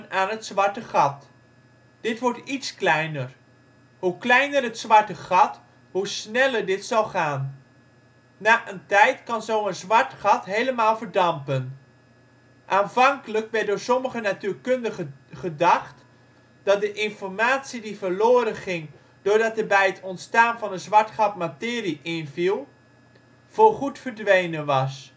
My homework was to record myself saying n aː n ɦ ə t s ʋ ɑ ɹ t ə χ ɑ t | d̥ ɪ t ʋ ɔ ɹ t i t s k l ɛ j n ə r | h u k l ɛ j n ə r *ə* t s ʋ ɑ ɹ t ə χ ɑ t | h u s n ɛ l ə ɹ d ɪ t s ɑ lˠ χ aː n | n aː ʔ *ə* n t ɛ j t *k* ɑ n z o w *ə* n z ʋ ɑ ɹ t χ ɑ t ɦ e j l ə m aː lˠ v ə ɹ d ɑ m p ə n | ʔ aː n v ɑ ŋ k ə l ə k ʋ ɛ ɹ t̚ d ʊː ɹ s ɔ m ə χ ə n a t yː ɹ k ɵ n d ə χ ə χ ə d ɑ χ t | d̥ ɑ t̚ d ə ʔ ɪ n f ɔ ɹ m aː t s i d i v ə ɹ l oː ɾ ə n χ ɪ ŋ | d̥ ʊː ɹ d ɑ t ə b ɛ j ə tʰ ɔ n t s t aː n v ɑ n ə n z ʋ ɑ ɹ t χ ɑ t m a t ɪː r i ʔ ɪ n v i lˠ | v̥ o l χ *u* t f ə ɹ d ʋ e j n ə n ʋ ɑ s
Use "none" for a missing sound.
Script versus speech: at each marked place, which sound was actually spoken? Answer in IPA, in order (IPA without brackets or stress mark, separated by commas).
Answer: ə, ə, k, ə, u